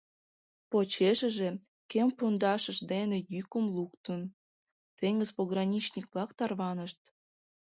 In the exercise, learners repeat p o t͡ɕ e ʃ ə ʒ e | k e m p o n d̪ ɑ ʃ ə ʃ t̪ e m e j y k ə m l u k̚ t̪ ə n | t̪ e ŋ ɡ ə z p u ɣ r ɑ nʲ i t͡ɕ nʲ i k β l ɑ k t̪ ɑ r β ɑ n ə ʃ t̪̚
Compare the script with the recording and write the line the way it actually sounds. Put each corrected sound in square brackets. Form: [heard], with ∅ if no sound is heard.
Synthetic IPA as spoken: p o t͡ɕ e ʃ ə ʒ e | k e m p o n d̪ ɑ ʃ ə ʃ [d̪] e [n] e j y k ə m l u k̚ t̪ ə n | t̪ e ŋ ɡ ə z p [o] ɣ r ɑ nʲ i t͡ɕ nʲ i k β l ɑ k t̪ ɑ r β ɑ n ə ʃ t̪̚